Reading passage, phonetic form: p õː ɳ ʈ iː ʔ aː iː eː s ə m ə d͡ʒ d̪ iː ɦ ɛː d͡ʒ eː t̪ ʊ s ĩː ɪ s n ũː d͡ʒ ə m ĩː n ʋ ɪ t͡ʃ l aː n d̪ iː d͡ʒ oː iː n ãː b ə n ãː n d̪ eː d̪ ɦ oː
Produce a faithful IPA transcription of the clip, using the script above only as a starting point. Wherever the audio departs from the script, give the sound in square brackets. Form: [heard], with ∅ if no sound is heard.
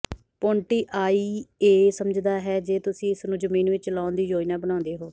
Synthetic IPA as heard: p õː ɳ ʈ iː ʔ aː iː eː s ə m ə d͡ʒ d̪ [aː] ɦ ɛː d͡ʒ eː t̪ ʊ s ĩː ɪ s n ũː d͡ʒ ə m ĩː n ʋ ɪ t͡ʃ l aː n d̪ iː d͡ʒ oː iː n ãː b ə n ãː n d̪ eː [∅] ɦ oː